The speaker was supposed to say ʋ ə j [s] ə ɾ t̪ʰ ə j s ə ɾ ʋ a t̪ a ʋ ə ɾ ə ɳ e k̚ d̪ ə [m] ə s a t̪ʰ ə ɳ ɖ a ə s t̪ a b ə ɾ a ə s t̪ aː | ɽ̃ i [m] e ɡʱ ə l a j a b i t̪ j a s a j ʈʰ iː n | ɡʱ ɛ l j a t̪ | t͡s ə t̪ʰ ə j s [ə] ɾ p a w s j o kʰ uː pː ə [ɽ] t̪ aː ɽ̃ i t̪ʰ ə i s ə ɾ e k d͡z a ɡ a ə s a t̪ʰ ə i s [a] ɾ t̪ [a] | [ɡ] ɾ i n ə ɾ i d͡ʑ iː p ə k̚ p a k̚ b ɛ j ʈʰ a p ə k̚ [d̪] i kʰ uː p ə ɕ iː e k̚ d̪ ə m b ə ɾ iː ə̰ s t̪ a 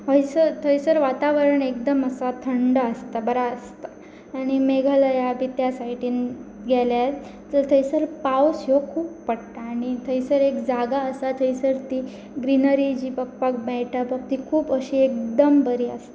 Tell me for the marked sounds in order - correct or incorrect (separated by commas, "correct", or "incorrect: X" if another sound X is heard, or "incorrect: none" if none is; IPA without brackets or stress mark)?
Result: correct, correct, correct, correct, correct, incorrect: ə, incorrect: i, correct, incorrect: t̪